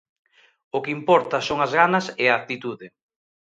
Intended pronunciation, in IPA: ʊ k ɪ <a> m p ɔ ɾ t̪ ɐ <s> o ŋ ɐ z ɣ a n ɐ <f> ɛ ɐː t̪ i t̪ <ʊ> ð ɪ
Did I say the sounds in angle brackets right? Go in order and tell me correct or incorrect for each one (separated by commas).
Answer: incorrect, correct, incorrect, incorrect